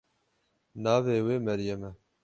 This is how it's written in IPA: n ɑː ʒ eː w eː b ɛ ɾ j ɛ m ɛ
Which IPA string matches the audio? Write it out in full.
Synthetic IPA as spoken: n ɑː v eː w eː m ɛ ɾ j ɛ m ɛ